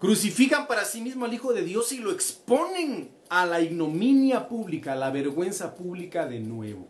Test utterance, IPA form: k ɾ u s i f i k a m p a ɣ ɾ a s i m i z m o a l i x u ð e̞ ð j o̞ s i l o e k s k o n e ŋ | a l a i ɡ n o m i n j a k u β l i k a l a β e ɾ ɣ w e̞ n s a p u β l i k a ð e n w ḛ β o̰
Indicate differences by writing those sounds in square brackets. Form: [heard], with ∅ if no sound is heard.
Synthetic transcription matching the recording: k ɾ u s i f i k a m p a [∅] ɾ a s i m i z m o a l i x [o] ð e̞ ð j o̞ s i l o e k s [p] o n e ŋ | a l a i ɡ n o m i n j a [p] u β l i k a l a β e ɾ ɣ w e̞ n s a p u β l i k a ð e n w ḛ β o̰